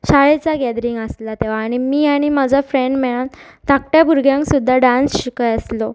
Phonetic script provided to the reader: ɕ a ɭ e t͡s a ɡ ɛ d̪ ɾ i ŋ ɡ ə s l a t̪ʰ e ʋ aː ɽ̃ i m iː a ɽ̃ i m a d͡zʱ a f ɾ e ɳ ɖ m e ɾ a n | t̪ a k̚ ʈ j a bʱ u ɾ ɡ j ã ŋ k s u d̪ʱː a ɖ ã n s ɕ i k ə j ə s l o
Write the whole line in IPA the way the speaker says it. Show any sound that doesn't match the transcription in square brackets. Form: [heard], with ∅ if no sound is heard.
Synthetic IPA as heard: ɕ a ɭ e t͡s a ɡ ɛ d̪ ɾ i ŋ ɡ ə s l a [t̪] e ʋ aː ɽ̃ i m iː a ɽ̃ i m a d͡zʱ a f ɾ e ɳ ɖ m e [ɭ] a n | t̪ a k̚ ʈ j a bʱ u ɾ ɡ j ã ŋ k s u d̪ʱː a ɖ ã n s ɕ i k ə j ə s l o